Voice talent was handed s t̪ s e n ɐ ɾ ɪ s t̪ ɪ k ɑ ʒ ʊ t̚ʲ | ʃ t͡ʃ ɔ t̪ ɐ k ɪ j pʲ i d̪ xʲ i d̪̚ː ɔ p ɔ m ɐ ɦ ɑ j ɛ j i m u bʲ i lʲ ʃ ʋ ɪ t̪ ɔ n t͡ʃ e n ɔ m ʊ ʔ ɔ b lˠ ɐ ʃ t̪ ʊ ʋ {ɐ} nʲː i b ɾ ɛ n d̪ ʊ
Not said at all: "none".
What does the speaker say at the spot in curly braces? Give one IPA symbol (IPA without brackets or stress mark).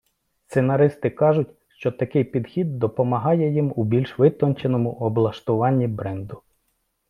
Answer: ɑ